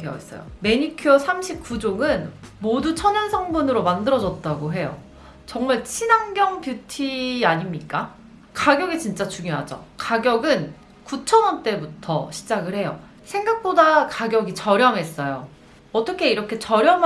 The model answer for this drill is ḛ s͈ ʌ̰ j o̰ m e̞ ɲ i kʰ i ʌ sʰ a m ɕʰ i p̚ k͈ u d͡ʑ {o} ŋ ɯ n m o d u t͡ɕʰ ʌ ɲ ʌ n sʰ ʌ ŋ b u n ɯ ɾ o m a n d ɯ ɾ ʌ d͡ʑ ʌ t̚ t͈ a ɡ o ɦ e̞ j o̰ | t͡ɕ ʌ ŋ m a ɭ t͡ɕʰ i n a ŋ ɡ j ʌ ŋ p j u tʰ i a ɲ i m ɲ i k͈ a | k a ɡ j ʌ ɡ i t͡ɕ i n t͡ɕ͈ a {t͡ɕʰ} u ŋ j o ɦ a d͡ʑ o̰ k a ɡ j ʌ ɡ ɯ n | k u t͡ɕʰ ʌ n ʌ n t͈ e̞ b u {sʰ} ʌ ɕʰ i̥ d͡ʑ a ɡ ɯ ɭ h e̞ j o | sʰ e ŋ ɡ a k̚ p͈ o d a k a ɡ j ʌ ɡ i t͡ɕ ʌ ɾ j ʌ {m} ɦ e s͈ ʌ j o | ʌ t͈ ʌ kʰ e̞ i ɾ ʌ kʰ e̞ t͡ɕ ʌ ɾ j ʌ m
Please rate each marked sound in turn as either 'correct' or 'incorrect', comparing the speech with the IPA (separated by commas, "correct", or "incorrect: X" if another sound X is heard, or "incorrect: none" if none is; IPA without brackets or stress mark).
correct, incorrect: t͡ɕ, incorrect: tʰ, correct